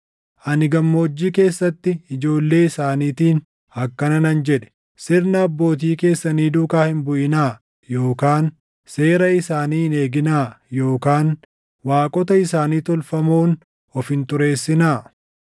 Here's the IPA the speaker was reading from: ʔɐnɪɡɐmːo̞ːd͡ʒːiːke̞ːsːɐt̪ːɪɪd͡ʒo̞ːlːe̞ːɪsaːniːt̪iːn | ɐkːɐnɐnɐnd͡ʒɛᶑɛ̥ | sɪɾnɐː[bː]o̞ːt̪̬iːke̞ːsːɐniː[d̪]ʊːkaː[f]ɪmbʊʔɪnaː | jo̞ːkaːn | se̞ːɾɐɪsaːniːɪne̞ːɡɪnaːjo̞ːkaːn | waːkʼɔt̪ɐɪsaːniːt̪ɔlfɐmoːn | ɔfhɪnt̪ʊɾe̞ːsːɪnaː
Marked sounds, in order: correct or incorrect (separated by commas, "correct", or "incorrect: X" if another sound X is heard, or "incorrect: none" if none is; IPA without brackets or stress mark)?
correct, correct, incorrect: h